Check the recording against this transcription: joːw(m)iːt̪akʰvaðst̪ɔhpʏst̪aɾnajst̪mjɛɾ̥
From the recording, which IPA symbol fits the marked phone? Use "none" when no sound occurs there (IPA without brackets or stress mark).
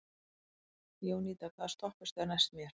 n